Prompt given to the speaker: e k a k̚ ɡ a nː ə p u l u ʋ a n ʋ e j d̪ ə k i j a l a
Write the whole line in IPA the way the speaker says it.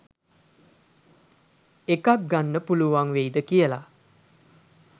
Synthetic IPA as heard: e k a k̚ ɡ a nː ə p u l u ʋ a ŋ ʋ e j d̪ ə k i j ə l a

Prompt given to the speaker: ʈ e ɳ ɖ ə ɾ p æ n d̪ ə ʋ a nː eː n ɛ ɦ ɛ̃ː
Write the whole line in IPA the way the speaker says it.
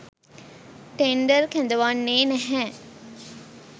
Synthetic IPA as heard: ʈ e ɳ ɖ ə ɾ k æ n d̪ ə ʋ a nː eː n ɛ ɦ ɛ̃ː

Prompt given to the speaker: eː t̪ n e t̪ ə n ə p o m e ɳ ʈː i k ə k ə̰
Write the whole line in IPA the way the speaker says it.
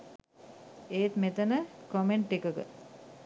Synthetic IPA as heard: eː t̪ m e t̪ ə n ə k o m e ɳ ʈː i k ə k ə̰

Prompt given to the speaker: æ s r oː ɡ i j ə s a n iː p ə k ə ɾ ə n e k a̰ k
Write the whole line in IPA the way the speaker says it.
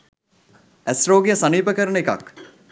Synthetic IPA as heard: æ s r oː ɡ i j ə s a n iː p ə k ə ɾ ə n e k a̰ k

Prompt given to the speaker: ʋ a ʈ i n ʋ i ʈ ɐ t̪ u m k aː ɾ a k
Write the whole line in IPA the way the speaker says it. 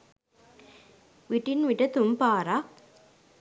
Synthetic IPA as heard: ʋ i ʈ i n ʋ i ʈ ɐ t̪ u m p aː ɾ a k

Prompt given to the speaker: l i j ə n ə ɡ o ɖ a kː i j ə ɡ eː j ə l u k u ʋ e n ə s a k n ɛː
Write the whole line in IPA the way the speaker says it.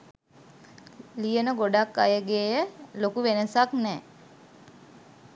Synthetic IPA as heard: l i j ə n ə ɡ o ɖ a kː a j ə ɡ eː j ə l o k u ʋ e n ə s a k n ɛː

